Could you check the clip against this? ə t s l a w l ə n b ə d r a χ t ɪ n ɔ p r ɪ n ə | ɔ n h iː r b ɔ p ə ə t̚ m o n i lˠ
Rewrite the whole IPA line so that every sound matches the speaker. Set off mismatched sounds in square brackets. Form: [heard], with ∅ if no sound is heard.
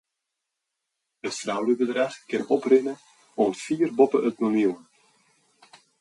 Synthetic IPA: ə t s [r] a w l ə [∅] b ə d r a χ [k] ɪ n ɔ p r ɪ n ə | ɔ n [f] iː r b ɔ p ə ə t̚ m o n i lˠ